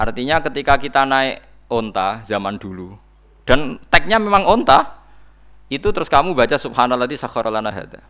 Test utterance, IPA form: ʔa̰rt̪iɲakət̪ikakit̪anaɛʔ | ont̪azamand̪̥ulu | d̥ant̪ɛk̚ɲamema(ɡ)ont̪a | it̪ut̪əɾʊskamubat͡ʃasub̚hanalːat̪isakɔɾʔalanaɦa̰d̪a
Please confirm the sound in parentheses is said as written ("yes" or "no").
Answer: no